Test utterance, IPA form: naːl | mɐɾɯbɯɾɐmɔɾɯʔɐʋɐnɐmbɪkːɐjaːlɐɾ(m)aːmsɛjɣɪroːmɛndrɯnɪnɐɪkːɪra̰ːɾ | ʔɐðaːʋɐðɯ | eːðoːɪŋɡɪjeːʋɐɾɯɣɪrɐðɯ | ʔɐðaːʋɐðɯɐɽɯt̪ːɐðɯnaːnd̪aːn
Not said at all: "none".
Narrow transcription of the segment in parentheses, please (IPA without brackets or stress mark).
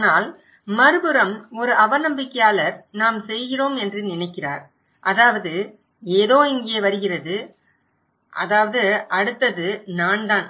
n